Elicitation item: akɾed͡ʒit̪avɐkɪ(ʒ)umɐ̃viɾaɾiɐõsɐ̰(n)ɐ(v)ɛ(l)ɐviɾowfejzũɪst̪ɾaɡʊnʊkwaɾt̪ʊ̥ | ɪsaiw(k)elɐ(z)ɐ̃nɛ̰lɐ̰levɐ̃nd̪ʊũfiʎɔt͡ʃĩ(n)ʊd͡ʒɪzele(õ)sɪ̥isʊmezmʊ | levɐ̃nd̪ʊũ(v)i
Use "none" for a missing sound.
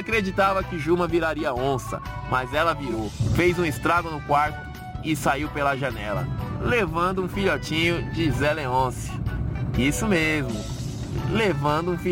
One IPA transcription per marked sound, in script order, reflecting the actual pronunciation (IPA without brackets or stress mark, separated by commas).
ʒ, m, z, l, p, ʒ, ɲ, õ, f